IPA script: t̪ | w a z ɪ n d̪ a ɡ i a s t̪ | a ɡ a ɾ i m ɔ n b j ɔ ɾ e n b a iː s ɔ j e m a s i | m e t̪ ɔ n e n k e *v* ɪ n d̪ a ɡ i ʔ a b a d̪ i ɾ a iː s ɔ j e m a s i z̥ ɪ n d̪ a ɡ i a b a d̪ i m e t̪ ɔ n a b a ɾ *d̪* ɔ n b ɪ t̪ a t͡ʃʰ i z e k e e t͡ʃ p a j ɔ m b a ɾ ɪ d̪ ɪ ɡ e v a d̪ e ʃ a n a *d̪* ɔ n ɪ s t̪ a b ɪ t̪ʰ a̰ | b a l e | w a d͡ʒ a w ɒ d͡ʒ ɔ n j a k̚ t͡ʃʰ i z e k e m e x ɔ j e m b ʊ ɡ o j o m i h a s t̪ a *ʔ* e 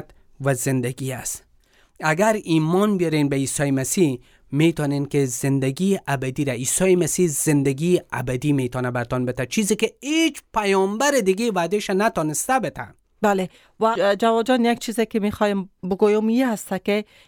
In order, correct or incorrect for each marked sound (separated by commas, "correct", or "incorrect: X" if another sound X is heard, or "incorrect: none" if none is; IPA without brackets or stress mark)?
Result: incorrect: z, incorrect: t̪, incorrect: t̪, incorrect: k